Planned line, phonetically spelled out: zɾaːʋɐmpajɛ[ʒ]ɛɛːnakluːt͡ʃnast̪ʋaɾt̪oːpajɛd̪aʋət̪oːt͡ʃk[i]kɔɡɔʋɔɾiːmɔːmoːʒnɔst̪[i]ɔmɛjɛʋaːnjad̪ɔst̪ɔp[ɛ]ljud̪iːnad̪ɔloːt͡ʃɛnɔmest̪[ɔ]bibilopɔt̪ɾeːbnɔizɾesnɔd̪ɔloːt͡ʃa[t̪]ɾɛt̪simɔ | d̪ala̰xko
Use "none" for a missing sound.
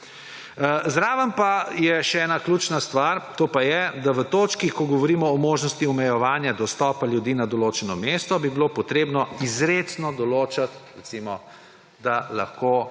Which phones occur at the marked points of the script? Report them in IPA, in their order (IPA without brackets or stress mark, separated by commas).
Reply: ʃ, i, i, a, ɔ, t̪